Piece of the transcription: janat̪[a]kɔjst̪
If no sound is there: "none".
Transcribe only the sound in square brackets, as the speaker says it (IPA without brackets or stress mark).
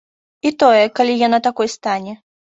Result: a